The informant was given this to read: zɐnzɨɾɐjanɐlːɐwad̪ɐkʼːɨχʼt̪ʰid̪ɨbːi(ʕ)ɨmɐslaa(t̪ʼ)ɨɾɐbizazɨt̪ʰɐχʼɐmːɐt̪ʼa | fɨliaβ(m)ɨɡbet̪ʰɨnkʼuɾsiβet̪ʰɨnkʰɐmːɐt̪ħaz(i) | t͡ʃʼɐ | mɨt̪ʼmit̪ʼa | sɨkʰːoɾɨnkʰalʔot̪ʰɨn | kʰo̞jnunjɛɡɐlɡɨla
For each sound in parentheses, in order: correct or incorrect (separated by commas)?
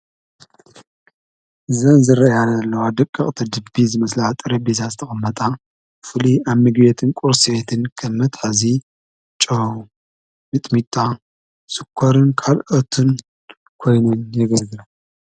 incorrect, correct, correct, correct